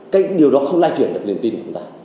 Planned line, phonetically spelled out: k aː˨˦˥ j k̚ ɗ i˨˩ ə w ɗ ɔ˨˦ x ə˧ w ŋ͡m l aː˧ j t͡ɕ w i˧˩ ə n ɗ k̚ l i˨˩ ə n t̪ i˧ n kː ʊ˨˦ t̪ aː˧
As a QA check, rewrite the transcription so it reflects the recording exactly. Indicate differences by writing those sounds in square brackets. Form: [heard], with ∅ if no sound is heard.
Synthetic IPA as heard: k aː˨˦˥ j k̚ ɗ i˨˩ ə w ɗ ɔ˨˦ x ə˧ w ŋ͡m l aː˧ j t͡ɕ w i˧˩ ə n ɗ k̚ l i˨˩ ə n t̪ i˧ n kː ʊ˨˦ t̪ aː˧